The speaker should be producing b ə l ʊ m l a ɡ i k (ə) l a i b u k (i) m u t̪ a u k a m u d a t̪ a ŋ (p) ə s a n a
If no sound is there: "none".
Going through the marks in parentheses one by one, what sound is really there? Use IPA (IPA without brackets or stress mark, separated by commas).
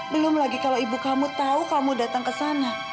a, a, k